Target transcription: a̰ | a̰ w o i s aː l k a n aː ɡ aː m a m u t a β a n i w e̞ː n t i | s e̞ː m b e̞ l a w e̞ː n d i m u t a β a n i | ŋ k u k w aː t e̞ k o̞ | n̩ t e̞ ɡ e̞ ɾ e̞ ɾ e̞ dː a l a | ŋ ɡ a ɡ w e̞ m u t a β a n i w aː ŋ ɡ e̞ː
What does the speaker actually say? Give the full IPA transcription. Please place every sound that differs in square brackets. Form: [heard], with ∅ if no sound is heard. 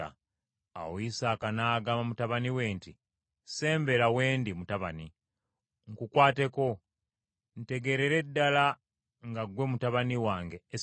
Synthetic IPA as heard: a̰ | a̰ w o i s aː [∅] k a n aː ɡ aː m a m u t a β a n i w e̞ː n t i | s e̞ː m b e̞ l a w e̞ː n d i m u t a β a n i | ŋ k u k w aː t e̞ k o̞ | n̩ t e̞ ɡ e̞ ɾ e̞ ɾ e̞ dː a l a | ŋ ɡ a ɡ w e̞ m u t a β a n i w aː ŋ ɡ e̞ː

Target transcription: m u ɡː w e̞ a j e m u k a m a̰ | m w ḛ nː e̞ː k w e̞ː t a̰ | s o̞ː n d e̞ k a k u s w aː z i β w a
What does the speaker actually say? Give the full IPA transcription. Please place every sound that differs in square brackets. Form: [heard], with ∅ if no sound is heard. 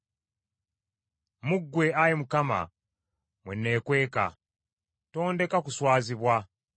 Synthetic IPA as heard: m u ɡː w e̞ a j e m u k a m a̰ | m w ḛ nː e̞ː k w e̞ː [k] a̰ | [t] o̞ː n d e̞ k a k u s w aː z i β w a

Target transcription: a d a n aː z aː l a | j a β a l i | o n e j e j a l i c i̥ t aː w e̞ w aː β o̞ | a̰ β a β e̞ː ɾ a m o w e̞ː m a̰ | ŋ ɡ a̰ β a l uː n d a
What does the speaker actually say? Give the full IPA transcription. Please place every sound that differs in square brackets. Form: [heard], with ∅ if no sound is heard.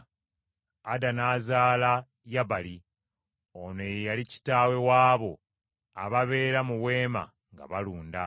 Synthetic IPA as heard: a d a n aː z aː l a | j a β a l i | o n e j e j a l i c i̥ t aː w e̞ w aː β o̞ | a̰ β a β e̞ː ɾ a m [u] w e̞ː m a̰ | ŋ ɡ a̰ β a l uː n d a

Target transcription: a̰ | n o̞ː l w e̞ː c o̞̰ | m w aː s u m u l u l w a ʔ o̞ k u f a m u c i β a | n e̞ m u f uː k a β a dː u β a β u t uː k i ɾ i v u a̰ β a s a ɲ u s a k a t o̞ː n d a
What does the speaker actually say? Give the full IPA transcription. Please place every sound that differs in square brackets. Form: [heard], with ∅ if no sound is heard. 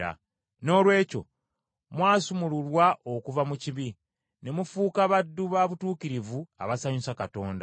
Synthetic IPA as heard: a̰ | n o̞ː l w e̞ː c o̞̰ | m w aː s u m u l u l w a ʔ o̞ k u [v] a m u c i β [i] | n e̞ m u f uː k a β a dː u β a β u t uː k i ɾ i v u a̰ β a s a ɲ u s a k a t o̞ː n d a

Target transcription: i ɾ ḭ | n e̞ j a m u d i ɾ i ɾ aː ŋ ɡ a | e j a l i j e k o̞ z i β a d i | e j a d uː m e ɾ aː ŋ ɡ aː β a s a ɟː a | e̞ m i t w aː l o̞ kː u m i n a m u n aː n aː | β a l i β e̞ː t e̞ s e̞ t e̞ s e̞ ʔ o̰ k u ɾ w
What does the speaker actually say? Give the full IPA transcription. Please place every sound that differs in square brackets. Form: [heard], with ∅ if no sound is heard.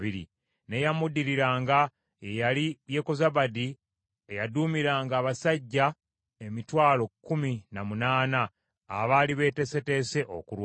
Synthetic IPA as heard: i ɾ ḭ | n e̞ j a m u d i ɾ i ɾ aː ŋ ɡ a | e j a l i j e k o̞ z [a] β a d i | e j a d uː m [i] ɾ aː ŋ ɡ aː β a s a ɟː a | e̞ m i t w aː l o̞ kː u m i n a m u n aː n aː | β a l i β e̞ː t e̞ s e̞ t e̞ s e̞ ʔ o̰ k u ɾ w

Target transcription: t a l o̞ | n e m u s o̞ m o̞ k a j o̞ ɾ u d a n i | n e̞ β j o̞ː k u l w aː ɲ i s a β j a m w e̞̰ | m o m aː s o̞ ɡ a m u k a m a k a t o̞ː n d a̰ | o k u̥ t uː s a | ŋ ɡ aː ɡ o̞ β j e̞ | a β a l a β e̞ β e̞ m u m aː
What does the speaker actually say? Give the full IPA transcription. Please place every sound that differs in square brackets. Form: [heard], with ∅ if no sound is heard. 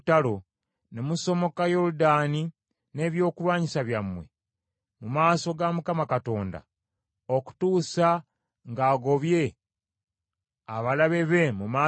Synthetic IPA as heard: t a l o̞ | n e m u s o̞ m o̞ k a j o̞ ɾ u d a n i | n e̞ β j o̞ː k u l w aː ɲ i s a β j a m w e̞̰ | m [u] m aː s o̞ ɡ a m u k a m a k a t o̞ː n d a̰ | o k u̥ t uː s a | ŋ ɡ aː ɡ o̞ β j e̞ | a β a l a β e̞ β e̞ m u m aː

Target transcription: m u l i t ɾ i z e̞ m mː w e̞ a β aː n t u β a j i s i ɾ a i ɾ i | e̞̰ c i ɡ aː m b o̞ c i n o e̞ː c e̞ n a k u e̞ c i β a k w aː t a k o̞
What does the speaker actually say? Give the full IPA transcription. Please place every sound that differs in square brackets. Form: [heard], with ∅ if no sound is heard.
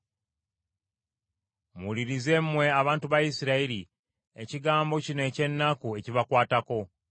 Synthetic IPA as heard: m u l i [∅] ɾ i z e̞ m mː w e̞ a β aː n t u β a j i s i ɾ a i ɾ i | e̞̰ c i ɡ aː m b o̞ c i n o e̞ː c e̞ [nː] a k u e̞ c i β a k w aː t a k o̞

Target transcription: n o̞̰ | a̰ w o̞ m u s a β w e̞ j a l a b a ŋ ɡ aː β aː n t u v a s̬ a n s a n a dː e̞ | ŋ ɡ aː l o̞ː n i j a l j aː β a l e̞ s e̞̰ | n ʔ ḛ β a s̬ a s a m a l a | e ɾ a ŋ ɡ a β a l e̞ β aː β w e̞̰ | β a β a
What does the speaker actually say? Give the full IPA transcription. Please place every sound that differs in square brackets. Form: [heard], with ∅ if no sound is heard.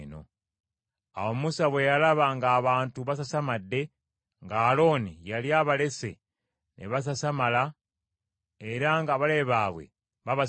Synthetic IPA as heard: n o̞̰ | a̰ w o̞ m u s a β w e̞ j a l a [β] a ŋ ɡ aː β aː n t u [β] a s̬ a [∅] s a [m] a dː e̞ | ŋ ɡ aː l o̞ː n i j a l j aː β a l e̞ s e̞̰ | n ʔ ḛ β a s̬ a s a m a l a | e ɾ a ŋ ɡ a β a l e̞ β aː β w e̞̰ | β a β a

